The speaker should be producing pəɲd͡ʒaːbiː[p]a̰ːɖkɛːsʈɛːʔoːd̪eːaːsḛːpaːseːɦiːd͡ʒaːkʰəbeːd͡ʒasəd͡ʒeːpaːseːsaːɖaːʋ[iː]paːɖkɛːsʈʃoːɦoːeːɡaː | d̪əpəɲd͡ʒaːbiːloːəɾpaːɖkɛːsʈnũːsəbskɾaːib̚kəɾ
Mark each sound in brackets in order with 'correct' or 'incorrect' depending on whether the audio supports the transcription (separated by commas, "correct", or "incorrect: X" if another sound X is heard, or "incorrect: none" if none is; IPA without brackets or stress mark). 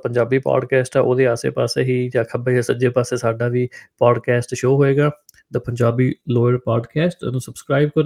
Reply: correct, correct